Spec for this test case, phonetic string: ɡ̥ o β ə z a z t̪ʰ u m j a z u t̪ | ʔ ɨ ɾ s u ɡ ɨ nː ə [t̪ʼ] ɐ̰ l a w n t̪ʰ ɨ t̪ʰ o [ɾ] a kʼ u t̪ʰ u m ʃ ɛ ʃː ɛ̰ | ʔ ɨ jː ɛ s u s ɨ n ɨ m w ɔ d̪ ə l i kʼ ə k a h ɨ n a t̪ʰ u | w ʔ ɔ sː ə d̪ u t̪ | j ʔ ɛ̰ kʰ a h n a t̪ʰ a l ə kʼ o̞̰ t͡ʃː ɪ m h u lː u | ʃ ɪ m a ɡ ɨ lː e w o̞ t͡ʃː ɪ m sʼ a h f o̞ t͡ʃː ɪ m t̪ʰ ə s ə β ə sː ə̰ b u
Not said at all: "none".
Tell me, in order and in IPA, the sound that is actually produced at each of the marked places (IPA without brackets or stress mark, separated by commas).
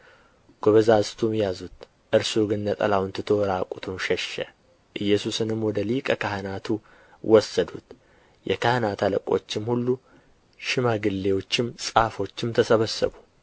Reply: t̪ʼ, ɾ